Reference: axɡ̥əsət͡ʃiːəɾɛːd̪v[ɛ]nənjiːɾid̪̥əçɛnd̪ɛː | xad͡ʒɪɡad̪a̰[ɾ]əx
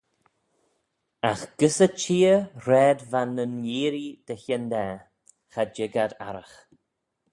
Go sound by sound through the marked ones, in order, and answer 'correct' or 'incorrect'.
incorrect, correct

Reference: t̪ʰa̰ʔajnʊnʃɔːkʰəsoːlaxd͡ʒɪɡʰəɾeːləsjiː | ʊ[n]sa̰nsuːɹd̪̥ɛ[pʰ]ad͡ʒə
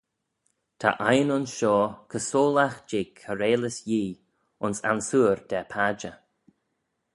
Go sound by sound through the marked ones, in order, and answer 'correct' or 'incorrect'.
correct, correct

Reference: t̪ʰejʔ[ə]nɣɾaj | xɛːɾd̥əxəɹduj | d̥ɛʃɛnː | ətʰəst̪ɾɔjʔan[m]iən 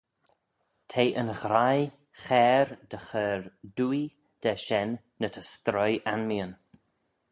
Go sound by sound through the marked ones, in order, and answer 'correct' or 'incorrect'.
correct, correct

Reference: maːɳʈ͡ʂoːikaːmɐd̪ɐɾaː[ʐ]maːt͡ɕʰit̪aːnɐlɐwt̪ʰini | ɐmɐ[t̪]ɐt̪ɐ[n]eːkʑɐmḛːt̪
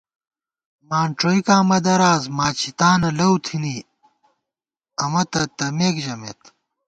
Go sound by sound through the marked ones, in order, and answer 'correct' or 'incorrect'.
incorrect, correct, incorrect

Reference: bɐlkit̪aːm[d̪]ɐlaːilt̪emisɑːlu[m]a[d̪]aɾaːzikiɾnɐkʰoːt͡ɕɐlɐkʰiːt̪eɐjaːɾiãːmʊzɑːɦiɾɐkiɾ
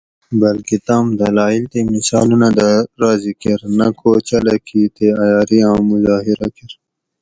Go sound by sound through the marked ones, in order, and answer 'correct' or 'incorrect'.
correct, incorrect, correct

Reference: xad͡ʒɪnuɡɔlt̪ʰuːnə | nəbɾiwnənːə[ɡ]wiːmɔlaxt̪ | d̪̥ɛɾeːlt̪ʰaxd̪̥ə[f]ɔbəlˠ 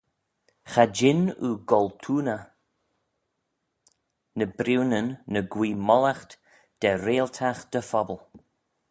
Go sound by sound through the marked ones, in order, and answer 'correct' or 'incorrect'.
correct, correct

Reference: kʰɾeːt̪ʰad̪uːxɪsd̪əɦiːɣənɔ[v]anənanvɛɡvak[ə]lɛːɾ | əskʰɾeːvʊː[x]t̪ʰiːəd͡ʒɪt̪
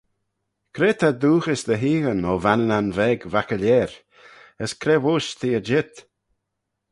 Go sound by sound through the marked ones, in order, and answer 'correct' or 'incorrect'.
correct, correct, incorrect

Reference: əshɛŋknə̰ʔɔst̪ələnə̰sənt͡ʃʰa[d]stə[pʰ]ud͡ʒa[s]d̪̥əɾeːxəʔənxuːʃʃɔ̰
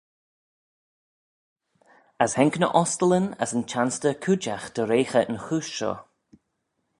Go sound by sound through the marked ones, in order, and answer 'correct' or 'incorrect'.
incorrect, incorrect, incorrect

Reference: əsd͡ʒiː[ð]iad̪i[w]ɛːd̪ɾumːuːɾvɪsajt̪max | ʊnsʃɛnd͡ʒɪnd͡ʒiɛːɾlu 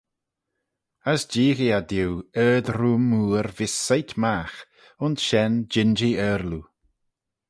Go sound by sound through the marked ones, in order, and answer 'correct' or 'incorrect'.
incorrect, correct

